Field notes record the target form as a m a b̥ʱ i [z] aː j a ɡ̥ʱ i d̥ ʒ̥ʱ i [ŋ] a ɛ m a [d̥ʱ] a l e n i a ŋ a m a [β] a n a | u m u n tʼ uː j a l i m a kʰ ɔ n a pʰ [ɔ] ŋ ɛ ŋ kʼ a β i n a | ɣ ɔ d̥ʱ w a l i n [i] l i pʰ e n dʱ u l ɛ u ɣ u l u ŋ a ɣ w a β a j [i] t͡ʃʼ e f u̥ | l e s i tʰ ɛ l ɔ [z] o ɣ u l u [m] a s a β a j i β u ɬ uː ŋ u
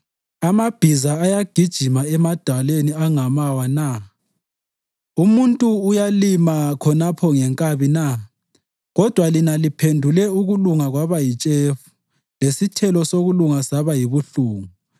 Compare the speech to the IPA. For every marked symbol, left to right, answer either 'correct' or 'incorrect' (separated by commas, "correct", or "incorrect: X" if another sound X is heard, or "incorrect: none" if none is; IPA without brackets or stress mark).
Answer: correct, incorrect: m, correct, incorrect: w, correct, incorrect: a, correct, incorrect: s, incorrect: ŋ